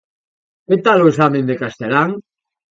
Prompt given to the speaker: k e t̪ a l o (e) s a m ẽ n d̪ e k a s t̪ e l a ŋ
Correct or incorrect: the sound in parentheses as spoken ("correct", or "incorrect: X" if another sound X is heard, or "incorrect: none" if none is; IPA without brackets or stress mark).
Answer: correct